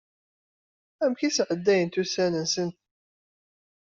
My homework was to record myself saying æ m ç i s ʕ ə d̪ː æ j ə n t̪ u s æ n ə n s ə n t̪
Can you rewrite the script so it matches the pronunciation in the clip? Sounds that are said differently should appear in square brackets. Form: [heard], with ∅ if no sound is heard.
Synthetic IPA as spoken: æ m ç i s ʕ ə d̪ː æ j ə n t̪ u s æ n ə n s ə n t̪